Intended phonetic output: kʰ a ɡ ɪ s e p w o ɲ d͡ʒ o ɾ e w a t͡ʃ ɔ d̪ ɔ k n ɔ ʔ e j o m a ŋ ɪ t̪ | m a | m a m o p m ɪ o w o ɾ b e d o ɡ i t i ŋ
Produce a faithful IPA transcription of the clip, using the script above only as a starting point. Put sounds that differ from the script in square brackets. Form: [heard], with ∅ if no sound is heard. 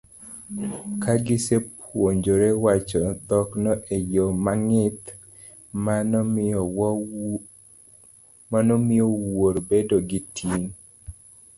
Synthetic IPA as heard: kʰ a ɡ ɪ s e p w o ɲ d͡ʒ o ɾ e w a t͡ʃ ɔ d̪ ɔ k n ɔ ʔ e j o m a ŋ ɪ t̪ | m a | m a [n] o [∅] m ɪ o w o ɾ b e d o ɡ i t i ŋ

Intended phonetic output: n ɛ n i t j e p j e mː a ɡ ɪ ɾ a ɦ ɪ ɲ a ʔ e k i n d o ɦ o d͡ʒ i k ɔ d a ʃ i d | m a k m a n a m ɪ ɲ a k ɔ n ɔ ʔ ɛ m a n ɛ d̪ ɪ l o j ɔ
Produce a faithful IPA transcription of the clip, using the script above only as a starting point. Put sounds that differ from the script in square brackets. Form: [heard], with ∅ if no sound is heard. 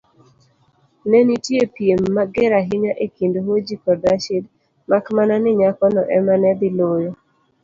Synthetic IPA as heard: n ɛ n i t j e p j e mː a ɡ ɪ ɾ a ɦ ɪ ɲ a ʔ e k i n d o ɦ o d͡ʒ i k ɔ d a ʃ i d | m a k m a n a [n] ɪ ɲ a k ɔ n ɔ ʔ ɛ m a n ɛ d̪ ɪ l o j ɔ

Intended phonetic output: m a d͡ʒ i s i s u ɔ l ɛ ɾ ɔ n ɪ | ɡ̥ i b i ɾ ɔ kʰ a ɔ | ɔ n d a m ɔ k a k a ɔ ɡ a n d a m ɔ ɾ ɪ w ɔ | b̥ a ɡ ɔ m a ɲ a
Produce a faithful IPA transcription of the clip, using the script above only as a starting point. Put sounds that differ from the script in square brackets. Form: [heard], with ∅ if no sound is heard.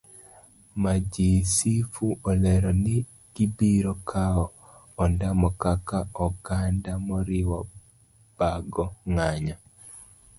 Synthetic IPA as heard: m a d͡ʒ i s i [f] u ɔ l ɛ ɾ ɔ n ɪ | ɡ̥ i b i ɾ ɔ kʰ a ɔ | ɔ n d a m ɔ k a k a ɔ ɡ a n d a m ɔ ɾ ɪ w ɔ | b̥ a ɡ ɔ [ŋ] a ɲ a

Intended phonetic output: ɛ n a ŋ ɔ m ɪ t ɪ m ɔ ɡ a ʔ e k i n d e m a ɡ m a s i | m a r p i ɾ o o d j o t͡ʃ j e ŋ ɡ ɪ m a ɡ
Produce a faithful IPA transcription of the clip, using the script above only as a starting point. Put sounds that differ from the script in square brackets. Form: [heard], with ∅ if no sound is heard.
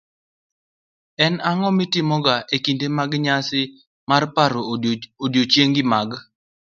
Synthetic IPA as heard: ɛ n a ŋ ɔ m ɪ t ɪ m ɔ ɡ a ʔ e k i n d e m a ɡ [ɲ] a s [ɪ] | m a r p [a] ɾ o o d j o t͡ʃ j e ŋ ɡ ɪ m a ɡ

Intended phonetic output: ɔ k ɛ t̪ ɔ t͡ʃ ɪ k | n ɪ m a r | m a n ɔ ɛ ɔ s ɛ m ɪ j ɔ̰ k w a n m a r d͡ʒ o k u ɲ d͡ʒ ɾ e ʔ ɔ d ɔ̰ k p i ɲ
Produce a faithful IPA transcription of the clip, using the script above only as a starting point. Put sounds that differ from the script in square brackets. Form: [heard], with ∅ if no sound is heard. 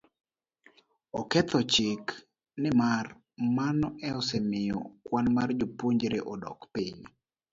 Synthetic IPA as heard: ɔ k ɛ t̪ ɔ t͡ʃ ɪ k | n ɪ m a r | m a n ɔ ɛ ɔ s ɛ m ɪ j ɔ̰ k w a n m a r d͡ʒ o [p] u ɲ d͡ʒ ɾ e ʔ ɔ d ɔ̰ k p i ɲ

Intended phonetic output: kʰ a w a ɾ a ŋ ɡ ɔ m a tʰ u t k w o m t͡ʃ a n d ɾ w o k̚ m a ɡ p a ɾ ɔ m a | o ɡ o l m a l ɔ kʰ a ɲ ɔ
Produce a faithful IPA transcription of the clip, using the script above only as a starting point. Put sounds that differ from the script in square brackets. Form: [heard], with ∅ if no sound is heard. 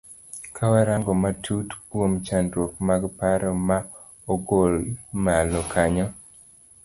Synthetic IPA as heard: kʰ a w a ɾ a ŋ ɡ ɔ m a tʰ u t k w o m t͡ʃ a n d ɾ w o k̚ m a ɡ p a ɾ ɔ m a | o ɡ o l m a l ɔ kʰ a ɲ ɔ

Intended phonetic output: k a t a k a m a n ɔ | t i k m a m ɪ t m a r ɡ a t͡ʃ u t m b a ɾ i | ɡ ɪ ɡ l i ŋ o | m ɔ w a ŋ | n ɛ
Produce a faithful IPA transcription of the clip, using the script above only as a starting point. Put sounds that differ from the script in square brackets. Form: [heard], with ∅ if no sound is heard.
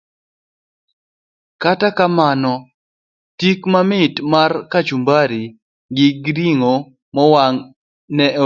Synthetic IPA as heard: k a t a k a m a n ɔ | t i k m a m ɪ t m a r [k] a t͡ʃ u [∅] m b a ɾ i | ɡ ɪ ɡ [ɾ] i ŋ o | m ɔ w a ŋ | n ɛ

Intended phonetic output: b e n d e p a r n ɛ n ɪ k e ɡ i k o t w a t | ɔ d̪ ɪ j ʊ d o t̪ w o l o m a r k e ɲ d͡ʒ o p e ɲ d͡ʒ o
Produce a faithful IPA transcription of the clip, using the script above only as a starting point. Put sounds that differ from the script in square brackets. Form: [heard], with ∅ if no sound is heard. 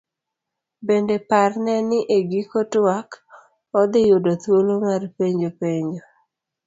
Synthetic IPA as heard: b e n d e p a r n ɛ n ɪ [ʔ] e ɡ i k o t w a [k] | ɔ d̪ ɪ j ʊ d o t̪ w o l o m a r [p] e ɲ d͡ʒ o p e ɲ d͡ʒ o

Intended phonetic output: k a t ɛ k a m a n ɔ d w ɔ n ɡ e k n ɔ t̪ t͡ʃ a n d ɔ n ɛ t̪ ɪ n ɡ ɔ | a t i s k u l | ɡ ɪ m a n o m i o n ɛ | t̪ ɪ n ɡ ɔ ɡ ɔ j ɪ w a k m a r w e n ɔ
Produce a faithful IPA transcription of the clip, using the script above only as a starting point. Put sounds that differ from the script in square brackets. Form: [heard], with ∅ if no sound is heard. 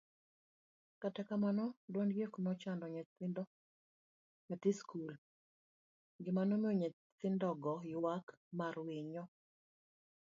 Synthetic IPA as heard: k a t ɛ k a m a n ɔ d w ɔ n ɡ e k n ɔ [∅] t͡ʃ a n d ɔ [ɲ] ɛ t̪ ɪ n [d] ɔ | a t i s k u l | ɡ ɪ m a n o m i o [ɲ] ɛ | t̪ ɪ n [d] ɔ ɡ ɔ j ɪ w a k m a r w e [ɲ] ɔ

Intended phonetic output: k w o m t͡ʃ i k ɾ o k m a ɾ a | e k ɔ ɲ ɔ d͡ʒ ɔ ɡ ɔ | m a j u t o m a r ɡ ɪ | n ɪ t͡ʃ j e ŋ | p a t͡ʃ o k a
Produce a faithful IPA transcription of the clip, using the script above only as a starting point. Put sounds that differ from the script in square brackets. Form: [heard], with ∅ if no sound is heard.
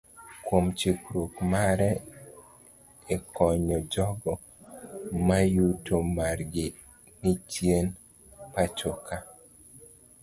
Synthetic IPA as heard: k w o m t͡ʃ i k ɾ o k m a ɾ [ɛ] | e k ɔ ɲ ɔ d͡ʒ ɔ ɡ ɔ | m a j u t o m a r ɡ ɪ | n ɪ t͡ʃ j e [n] | p a t͡ʃ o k a

